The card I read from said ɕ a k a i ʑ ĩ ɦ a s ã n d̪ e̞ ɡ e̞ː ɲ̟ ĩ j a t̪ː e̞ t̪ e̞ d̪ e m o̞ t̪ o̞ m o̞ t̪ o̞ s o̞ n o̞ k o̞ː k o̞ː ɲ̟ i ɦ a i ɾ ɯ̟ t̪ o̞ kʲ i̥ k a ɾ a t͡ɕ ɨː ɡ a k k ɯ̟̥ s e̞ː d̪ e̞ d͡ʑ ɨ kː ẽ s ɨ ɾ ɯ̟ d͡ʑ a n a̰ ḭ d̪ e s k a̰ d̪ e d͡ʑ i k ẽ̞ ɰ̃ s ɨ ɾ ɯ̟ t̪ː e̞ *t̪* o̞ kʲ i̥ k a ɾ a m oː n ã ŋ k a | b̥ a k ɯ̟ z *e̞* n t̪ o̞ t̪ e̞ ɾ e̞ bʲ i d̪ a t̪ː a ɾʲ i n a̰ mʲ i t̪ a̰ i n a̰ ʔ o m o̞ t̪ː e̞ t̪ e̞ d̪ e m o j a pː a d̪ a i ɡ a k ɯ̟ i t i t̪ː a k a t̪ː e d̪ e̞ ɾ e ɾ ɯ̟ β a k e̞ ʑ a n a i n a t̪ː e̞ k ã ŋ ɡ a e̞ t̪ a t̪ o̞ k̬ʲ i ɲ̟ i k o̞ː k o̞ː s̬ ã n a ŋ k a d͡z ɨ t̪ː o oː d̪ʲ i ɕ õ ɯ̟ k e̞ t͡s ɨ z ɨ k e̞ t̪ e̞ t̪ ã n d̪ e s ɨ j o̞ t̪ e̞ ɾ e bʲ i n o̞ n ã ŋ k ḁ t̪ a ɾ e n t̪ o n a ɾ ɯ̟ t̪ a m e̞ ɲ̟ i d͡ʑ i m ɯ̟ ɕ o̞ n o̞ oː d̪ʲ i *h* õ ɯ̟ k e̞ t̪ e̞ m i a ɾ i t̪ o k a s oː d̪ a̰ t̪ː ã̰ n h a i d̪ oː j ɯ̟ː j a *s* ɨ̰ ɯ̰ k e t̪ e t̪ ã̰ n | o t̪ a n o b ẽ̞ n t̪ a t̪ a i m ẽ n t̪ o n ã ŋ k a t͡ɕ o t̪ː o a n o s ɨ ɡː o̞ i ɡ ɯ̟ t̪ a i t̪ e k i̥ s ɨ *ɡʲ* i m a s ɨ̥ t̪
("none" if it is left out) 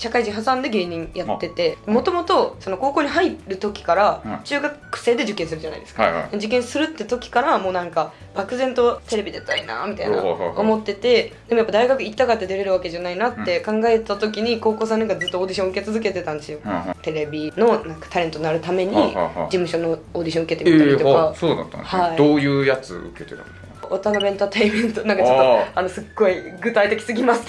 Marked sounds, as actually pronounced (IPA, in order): t̪, ẽ̞, ɕ, t͡s, ɡʲ

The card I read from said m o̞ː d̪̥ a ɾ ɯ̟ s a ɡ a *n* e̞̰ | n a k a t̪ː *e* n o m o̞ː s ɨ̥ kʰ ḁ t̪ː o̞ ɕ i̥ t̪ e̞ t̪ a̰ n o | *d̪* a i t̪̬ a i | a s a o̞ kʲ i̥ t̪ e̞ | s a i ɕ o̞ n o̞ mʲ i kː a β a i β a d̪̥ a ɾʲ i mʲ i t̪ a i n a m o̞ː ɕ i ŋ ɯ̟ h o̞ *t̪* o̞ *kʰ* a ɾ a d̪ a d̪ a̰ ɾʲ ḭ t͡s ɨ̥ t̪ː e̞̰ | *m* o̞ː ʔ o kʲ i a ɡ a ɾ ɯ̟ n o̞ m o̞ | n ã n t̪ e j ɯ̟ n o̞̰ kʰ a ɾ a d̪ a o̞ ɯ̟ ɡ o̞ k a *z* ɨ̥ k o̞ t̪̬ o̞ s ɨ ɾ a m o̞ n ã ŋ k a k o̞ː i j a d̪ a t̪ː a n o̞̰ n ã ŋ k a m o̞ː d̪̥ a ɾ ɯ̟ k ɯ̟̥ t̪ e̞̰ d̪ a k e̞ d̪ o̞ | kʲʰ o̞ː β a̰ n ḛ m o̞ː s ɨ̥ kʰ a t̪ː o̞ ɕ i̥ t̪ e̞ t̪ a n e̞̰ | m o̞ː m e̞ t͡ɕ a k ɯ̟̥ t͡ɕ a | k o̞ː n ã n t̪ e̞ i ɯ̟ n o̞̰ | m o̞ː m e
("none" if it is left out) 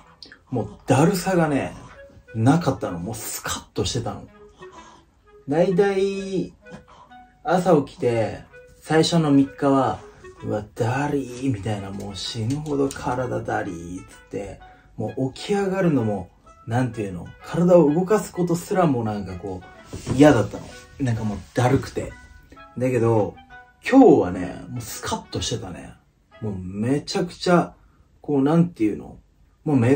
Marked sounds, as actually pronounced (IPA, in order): n, a, d̪, d̪, kʰ, m, s

